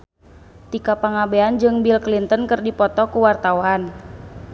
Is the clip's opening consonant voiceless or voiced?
voiceless